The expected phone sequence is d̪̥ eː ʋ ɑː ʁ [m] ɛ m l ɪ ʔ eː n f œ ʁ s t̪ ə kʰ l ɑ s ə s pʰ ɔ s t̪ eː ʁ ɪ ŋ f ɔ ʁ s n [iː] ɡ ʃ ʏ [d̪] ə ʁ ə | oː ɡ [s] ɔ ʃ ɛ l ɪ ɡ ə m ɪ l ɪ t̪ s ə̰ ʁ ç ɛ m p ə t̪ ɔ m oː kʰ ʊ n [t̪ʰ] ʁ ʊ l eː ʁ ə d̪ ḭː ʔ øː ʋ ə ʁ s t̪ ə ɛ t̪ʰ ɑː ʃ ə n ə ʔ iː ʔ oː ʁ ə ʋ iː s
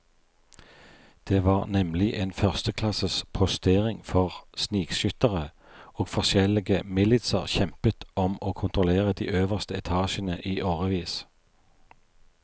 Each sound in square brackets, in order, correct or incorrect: incorrect, correct, incorrect, incorrect, incorrect

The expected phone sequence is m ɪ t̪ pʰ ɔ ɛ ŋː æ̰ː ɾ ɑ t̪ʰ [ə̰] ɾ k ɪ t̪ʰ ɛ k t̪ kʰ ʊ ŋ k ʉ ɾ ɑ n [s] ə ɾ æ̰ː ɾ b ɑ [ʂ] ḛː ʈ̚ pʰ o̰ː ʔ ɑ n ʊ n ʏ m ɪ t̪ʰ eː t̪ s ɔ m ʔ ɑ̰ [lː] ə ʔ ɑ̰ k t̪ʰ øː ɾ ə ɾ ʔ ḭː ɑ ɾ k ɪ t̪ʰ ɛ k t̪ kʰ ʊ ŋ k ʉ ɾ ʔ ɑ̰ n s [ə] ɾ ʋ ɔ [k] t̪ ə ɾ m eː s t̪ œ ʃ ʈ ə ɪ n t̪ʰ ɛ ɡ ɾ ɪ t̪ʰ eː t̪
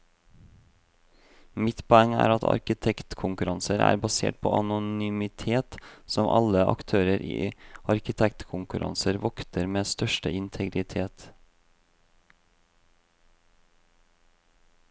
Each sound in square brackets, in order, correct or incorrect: incorrect, correct, incorrect, incorrect, correct, correct

